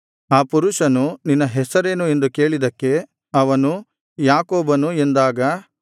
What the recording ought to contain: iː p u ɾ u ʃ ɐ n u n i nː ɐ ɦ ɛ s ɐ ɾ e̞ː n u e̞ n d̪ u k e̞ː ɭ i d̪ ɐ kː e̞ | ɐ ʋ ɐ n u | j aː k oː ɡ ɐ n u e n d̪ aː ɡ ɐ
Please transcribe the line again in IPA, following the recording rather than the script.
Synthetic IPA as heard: aː p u ɾ u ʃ ɐ n u n i nː ɐ ɦ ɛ s ɐ ɾ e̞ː n u e̞ n d̪ u k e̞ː ɭ i d̪ ɐ kː e̞ | ɐ ʋ ɐ n u | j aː k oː b ɐ n u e n d̪ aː ɡ ɐ

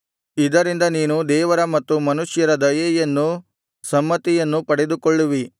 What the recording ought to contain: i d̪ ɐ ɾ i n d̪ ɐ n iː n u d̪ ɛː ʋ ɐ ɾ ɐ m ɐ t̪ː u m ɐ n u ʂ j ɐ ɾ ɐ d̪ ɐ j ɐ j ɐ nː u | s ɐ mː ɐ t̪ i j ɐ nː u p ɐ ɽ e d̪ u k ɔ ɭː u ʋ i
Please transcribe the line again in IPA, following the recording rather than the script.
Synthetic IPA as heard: i d̪ ɐ ɾ i n d̪ ɐ n iː n u d̪ ɛː ʋ ɐ ɾ ɐ m ɐ t̪ː u m ɐ n u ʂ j ɐ ɾ ɐ d̪ ɐ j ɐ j ɐ nː u | s ɐ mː ɐ t̪ i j ɐ nː u p ɐ ɽ e d̪ u k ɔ ɭː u ʋ i

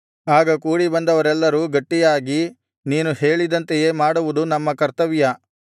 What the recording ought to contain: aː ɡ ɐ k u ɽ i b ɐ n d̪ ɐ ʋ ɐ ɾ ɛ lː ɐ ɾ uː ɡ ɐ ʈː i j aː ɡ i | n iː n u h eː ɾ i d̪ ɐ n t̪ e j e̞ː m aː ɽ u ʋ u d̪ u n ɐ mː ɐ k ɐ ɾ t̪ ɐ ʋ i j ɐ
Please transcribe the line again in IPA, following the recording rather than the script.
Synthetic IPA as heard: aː ɡ ɐ k uː ɽ i b ɐ n d̪ ɐ ʋ ɐ ɾ ɛ lː ɐ ɾ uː ɡ ɐ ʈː i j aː ɡ i | n iː n u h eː ɭ i d̪ ɐ n t̪ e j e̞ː m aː ɽ u ʋ u d̪ u n ɐ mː ɐ k ɐ ɾ t̪ ɐ ʋ i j ɐ

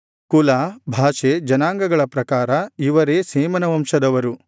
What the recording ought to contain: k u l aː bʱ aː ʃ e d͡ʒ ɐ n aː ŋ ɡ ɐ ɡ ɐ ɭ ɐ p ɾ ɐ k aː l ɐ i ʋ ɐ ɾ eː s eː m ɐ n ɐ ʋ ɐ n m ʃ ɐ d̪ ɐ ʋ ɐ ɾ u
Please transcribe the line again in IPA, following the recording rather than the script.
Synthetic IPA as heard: k u l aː bʱ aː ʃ e d͡ʒ ɐ n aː ŋ ɡ ɐ ɡ ɐ ɭ ɐ p ɾ ɐ k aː ɾ ɐ i ʋ ɐ ɾ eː s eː m ɐ n ɐ ʋ ɐ m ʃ ɐ d̪ ɐ ʋ ɐ ɾ u

